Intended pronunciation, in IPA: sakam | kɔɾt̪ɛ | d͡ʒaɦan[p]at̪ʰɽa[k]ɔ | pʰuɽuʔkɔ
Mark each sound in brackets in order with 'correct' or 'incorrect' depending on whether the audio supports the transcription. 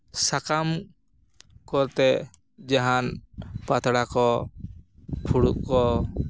correct, correct

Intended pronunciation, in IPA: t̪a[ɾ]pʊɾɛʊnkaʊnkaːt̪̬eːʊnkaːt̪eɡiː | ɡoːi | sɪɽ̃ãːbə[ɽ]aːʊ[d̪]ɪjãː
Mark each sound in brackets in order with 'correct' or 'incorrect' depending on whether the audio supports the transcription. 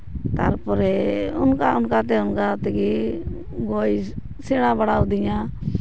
correct, correct, correct

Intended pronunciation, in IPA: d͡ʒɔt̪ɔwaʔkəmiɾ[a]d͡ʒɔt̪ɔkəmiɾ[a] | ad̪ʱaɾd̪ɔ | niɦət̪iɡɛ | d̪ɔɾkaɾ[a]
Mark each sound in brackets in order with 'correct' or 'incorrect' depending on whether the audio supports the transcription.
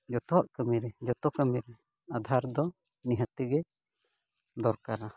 incorrect: ɛ, incorrect: ɛ, correct

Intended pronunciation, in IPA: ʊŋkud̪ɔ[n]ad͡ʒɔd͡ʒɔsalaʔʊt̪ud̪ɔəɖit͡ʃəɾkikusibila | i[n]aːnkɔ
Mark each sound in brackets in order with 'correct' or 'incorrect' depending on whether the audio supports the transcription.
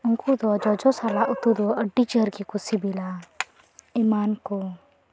incorrect: none, incorrect: m

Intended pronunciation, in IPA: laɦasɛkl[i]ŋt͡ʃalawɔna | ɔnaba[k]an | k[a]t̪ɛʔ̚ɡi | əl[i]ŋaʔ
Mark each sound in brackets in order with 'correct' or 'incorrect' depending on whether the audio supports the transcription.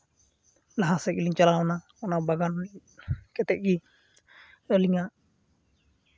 correct, incorrect: ɡ, incorrect: ɛ, correct

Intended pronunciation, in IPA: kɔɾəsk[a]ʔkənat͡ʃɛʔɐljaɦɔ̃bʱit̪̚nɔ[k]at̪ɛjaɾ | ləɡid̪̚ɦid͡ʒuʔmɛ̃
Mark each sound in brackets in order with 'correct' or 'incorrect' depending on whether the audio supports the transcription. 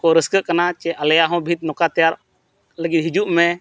incorrect: ə, correct

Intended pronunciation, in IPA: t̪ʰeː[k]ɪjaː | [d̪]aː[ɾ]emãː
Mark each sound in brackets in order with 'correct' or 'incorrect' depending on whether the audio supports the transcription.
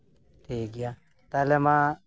incorrect: ɡ, incorrect: t̪, incorrect: l

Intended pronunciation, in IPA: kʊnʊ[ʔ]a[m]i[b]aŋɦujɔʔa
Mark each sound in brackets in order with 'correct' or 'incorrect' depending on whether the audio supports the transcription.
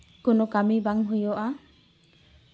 incorrect: k, correct, correct

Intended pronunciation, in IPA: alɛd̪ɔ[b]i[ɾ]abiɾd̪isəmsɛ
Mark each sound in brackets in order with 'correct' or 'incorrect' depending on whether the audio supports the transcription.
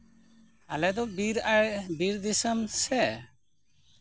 correct, correct

